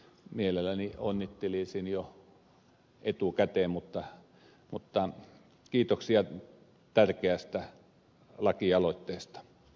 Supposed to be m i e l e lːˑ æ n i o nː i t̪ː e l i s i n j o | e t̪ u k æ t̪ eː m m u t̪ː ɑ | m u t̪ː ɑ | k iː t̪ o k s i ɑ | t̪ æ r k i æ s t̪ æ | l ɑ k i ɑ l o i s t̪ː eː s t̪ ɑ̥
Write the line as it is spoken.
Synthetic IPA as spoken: m i e l e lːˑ æ n i o nː i t̪ː e l i s i n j o | e t̪ u k æ t̪ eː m m u t̪ː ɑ | m u t̪ː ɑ | k iː t̪ o k s i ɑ | t̪ æ r k e æ s t̪ æ | l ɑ k i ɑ l o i t̪ː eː s t̪ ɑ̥